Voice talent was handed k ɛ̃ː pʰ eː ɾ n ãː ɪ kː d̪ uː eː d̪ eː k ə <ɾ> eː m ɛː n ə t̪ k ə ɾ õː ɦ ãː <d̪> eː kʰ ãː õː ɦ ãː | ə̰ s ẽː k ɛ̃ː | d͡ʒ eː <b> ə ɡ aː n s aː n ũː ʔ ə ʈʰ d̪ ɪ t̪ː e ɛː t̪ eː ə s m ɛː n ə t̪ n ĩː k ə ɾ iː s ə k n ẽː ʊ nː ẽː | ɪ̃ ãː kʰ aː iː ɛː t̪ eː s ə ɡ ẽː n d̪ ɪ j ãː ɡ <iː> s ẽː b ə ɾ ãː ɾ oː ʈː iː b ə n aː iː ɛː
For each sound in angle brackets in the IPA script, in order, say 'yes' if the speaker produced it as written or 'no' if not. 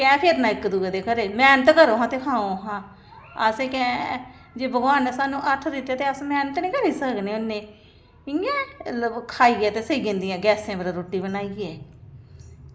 yes, no, yes, no

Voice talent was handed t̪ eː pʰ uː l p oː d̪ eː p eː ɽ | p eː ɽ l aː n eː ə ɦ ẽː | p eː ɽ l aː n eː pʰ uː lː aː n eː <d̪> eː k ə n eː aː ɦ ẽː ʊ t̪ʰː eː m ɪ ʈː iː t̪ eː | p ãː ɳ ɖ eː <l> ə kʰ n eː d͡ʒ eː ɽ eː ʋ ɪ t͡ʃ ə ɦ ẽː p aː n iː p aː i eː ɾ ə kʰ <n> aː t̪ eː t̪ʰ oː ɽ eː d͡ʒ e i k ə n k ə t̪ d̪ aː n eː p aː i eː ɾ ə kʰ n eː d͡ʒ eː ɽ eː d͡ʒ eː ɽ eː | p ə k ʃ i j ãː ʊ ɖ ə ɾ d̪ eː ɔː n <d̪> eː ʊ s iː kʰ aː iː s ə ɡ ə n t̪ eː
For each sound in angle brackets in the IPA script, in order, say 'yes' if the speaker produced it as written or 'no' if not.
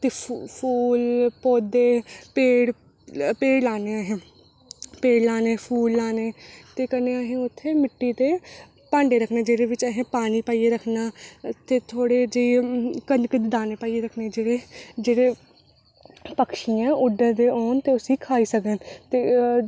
no, no, yes, no

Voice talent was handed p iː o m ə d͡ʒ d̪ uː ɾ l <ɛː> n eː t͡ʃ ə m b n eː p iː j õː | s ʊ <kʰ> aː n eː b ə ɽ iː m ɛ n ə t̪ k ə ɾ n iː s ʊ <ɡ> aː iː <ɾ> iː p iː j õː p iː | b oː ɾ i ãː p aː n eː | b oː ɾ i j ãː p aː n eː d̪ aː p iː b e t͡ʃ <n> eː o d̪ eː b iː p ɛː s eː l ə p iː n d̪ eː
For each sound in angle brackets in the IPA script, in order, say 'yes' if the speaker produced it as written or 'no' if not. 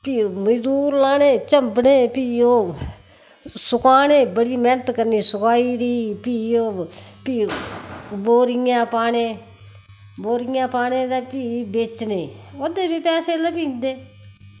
no, no, no, yes, yes

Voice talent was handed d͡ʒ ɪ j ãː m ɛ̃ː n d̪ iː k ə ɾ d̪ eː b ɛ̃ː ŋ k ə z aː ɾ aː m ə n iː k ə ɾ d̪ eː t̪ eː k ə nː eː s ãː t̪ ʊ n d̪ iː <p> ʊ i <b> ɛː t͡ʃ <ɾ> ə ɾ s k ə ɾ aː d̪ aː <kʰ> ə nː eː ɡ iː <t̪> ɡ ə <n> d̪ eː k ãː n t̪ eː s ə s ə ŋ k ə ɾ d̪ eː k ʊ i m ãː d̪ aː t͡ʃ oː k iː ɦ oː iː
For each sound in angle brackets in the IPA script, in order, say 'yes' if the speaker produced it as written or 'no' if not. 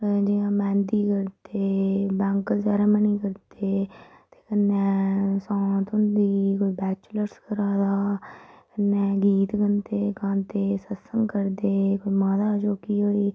no, yes, no, no, yes, yes

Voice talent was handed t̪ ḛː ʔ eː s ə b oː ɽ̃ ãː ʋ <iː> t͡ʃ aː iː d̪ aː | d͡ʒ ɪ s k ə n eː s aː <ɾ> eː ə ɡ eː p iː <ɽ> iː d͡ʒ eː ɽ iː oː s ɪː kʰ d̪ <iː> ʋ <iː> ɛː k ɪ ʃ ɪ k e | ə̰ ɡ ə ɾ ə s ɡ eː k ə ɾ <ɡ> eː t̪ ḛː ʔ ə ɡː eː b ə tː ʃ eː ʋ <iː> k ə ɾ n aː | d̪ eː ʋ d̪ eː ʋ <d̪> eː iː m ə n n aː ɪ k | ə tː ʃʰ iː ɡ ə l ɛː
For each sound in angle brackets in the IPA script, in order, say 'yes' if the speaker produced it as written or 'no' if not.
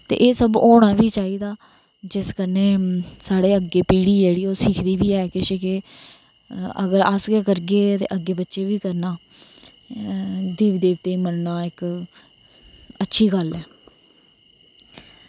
yes, no, yes, yes, yes, yes, yes, no

